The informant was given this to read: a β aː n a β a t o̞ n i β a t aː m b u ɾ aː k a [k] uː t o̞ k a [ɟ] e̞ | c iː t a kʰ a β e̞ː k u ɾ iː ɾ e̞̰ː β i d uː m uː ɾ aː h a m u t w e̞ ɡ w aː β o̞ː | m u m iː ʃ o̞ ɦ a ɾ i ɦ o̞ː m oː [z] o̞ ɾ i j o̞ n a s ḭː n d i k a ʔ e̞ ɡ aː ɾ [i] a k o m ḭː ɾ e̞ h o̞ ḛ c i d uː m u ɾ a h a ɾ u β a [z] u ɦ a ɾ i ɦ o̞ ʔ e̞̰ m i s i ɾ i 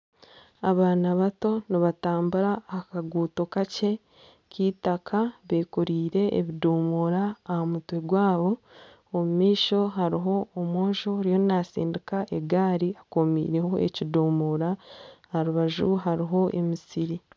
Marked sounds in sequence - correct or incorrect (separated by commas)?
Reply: incorrect, incorrect, incorrect, correct, incorrect